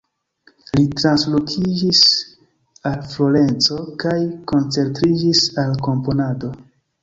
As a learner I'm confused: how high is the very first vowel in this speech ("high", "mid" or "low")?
high